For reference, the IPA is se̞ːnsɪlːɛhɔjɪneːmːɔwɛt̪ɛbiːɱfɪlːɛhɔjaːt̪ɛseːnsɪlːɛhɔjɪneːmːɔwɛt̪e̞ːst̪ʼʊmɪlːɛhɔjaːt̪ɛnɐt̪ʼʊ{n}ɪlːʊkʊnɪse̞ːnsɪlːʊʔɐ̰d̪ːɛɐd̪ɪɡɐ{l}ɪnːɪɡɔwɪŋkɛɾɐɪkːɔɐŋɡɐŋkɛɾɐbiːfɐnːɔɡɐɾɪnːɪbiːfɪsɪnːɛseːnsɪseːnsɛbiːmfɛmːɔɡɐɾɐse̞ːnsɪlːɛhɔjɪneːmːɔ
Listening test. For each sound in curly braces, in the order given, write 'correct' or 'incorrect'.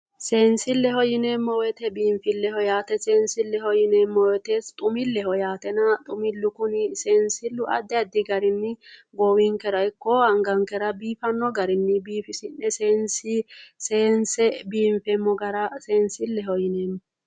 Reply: incorrect, incorrect

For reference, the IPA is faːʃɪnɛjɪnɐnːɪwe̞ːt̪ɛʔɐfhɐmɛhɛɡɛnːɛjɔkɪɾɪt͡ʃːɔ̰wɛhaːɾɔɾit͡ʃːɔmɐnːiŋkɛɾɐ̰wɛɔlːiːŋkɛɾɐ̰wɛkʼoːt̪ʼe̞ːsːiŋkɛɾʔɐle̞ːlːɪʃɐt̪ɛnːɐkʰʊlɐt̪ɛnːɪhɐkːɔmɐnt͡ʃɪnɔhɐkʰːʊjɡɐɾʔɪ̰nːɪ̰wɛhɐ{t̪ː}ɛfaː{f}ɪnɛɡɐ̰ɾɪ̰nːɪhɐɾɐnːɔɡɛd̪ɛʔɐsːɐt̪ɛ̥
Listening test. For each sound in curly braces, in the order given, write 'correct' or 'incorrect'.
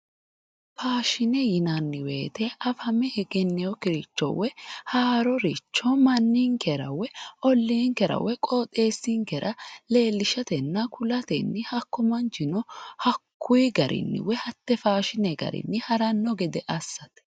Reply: correct, incorrect

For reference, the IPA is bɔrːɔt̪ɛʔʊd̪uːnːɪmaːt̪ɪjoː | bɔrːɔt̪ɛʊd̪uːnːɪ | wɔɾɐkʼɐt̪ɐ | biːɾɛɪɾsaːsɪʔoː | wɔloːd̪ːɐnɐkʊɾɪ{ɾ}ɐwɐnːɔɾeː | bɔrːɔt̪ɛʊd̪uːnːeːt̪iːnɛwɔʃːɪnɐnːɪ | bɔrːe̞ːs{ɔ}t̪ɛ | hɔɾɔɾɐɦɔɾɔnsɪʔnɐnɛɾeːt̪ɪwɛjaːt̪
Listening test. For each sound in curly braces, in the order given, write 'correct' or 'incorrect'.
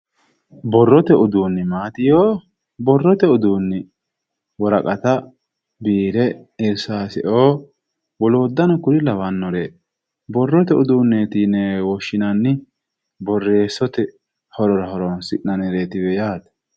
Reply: incorrect, correct

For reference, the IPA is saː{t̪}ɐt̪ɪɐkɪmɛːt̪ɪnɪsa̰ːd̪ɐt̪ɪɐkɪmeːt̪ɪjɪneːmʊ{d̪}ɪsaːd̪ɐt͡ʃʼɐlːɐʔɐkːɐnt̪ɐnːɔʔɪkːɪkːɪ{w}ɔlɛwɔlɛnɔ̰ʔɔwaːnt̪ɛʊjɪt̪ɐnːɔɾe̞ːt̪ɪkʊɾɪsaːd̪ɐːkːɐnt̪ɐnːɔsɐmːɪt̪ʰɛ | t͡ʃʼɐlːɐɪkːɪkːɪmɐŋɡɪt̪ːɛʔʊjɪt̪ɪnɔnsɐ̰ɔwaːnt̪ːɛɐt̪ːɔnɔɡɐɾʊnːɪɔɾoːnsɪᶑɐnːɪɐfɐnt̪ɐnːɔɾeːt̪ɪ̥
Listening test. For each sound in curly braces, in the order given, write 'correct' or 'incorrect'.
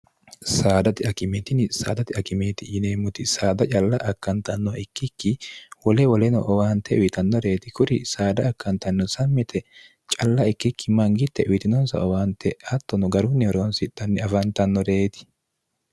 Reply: incorrect, incorrect, correct

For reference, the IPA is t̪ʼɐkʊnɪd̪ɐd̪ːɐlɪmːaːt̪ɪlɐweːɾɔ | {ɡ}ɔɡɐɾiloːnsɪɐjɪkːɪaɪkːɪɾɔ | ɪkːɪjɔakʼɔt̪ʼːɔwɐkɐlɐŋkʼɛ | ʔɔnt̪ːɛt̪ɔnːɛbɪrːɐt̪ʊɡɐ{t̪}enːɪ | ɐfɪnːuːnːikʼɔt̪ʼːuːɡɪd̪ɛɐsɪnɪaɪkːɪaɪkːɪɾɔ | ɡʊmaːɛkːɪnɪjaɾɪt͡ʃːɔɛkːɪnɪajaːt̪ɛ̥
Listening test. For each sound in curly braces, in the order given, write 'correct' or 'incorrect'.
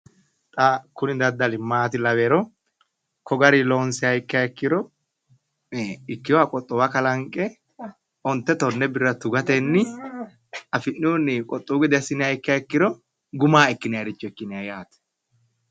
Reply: incorrect, correct

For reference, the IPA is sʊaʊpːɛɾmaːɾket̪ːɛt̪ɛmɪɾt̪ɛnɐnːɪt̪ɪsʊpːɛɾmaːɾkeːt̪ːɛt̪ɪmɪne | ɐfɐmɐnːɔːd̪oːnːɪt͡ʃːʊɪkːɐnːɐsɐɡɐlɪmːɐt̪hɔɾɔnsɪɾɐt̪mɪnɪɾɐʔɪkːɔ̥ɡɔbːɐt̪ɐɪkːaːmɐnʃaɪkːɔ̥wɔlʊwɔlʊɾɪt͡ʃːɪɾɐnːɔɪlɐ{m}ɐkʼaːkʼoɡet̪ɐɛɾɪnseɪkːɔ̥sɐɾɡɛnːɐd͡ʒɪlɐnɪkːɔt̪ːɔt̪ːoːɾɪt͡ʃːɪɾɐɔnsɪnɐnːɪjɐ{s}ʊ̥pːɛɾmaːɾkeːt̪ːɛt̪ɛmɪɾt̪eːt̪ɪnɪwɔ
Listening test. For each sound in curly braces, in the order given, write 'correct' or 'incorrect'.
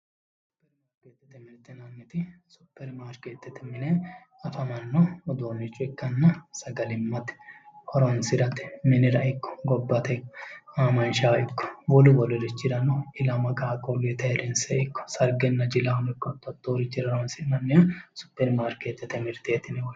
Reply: correct, correct

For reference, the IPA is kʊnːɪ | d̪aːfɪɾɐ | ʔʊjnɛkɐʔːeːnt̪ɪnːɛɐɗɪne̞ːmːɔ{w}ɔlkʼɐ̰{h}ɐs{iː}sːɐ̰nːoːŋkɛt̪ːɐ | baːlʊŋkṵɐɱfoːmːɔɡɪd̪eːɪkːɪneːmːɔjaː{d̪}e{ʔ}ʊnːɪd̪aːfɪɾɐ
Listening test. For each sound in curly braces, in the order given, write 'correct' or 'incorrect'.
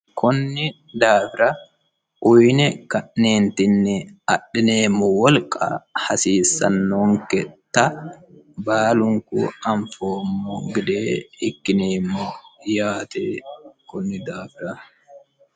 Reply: correct, correct, correct, incorrect, incorrect

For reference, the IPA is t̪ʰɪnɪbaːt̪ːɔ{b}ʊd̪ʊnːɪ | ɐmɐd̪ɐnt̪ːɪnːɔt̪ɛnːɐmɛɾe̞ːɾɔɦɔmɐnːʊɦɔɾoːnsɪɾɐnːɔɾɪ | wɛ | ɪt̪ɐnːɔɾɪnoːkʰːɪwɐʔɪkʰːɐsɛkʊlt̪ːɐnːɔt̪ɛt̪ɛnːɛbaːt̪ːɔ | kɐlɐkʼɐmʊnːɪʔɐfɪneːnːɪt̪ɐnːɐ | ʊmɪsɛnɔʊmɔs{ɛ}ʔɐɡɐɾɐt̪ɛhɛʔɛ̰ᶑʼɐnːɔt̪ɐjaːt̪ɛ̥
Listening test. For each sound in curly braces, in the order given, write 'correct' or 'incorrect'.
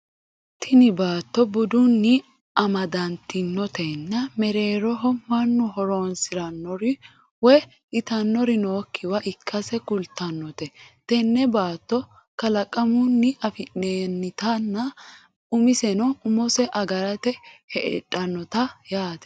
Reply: correct, correct

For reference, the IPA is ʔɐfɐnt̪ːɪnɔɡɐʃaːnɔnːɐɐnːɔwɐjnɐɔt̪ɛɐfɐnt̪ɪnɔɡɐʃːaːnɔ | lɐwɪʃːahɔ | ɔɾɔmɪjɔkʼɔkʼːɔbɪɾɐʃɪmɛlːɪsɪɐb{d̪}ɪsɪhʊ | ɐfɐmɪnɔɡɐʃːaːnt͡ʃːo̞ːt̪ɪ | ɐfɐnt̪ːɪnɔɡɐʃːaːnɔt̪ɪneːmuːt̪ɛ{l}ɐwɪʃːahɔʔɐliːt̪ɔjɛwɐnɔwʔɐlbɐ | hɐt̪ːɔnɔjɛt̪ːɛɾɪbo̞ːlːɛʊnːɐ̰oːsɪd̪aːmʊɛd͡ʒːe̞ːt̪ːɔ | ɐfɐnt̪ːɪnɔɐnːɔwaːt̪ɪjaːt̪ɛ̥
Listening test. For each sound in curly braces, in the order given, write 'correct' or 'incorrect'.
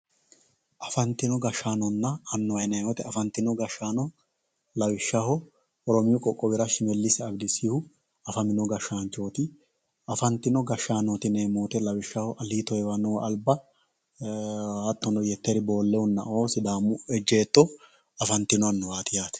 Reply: correct, correct

